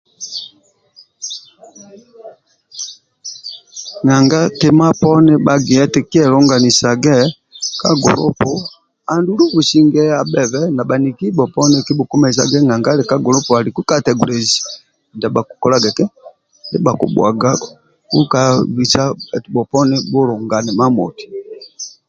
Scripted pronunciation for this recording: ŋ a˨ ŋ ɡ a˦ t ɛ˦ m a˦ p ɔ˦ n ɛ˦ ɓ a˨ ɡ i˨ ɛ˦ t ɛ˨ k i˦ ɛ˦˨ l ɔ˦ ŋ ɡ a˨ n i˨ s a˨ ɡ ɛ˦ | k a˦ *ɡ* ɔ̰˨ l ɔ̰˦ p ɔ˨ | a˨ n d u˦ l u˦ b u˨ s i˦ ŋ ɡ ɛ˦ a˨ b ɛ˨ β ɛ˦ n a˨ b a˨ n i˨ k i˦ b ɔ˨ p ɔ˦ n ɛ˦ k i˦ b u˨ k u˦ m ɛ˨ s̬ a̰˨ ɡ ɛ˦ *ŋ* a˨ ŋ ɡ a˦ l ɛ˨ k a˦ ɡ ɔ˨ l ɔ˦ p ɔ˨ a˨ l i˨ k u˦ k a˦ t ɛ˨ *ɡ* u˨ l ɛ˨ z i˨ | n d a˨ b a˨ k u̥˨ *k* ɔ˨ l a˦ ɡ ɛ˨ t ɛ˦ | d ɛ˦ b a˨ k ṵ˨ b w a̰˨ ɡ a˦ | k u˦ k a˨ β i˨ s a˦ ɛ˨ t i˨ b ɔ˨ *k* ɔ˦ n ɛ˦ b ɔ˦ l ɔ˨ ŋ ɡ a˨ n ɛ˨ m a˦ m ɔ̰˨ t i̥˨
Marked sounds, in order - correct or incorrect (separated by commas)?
correct, correct, correct, correct, incorrect